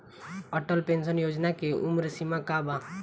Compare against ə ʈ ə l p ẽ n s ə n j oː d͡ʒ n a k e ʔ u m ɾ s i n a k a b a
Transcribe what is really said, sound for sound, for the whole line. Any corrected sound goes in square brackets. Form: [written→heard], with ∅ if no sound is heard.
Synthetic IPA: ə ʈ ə l p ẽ n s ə n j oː d͡ʒ n a k e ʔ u m ɾ s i [n→m] a k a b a